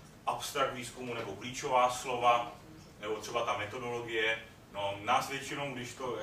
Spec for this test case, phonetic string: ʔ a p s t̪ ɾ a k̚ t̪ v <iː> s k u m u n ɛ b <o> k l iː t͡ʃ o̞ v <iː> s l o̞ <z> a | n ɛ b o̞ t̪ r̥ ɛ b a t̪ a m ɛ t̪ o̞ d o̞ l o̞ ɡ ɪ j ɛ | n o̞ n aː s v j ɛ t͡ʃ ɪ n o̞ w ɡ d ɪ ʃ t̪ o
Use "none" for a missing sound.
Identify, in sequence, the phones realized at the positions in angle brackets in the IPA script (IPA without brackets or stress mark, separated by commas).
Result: iː, o, aː, v